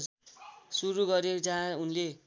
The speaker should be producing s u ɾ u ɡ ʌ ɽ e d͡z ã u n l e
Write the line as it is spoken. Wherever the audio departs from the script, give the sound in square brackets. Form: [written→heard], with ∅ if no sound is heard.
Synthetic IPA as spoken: s u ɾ u ɡ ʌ [ɽ→ɾ] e d͡z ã u n l e